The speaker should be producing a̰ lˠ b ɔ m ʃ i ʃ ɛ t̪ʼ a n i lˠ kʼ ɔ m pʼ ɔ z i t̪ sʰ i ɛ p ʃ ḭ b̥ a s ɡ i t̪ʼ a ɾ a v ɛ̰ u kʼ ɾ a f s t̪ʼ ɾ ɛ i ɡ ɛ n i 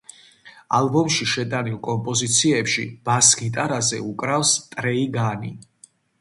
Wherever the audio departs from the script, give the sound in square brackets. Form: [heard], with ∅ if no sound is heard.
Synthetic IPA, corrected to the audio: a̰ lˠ b ɔ m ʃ i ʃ ɛ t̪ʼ a n i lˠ kʼ ɔ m pʼ ɔ z i t̪ sʰ i ɛ p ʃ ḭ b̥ a s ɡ i t̪ʼ a ɾ a [z] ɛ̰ u kʼ ɾ a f s t̪ʼ ɾ ɛ i ɡ [a] n i